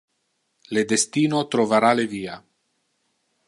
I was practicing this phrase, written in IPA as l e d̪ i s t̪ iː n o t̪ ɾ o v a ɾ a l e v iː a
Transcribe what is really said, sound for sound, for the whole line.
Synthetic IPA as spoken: l e d̪ e s t̪ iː n o t̪ ɾ o v a ɾ a l e v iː a